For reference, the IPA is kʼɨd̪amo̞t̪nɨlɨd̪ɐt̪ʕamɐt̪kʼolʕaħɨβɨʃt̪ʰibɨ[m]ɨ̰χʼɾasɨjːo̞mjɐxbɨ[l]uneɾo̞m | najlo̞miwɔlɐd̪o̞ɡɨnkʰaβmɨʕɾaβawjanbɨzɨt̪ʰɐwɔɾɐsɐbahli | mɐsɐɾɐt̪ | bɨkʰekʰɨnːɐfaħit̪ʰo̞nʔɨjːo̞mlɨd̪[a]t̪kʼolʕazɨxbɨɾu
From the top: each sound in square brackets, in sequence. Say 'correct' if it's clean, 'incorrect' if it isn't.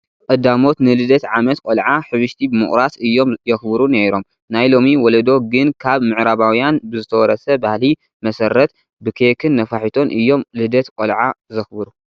correct, incorrect, incorrect

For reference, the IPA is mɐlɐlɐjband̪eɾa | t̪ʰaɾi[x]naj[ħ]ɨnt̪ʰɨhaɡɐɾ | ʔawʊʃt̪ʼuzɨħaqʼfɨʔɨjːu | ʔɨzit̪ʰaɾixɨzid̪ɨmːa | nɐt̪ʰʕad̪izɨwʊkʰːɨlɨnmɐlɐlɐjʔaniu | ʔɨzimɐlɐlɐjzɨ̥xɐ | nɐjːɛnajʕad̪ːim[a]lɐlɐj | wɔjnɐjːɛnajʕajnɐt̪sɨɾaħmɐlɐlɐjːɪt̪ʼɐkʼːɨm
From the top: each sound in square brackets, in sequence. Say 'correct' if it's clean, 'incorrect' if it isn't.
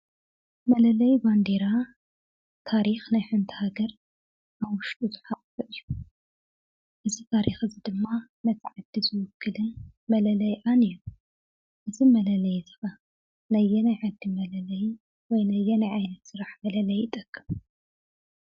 correct, correct, incorrect

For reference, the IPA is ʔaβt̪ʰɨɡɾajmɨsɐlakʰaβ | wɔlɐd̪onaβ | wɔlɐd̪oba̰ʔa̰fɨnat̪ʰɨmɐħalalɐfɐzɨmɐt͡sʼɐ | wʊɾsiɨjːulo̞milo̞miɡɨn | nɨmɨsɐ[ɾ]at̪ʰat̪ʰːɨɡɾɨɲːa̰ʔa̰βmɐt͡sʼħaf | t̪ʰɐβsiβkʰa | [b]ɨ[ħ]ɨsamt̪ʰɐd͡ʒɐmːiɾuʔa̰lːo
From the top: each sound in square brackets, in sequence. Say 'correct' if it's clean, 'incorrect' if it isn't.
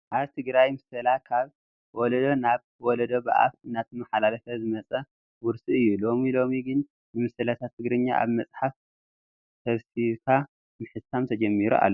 incorrect, incorrect, correct

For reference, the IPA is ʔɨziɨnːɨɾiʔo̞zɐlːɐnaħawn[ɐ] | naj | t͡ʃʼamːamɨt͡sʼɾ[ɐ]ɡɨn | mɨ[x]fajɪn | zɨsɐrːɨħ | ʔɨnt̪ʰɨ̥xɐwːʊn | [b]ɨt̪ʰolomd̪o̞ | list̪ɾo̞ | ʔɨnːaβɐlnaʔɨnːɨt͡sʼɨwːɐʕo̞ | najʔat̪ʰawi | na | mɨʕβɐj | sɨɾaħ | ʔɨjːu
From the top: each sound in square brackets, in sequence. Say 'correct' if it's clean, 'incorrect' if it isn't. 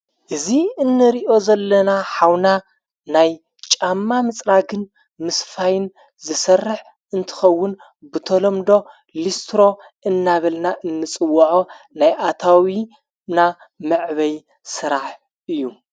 incorrect, incorrect, incorrect, correct

